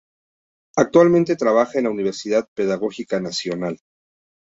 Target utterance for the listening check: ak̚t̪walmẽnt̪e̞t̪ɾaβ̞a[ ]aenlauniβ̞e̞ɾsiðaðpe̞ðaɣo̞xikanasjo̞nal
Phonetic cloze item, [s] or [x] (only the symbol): x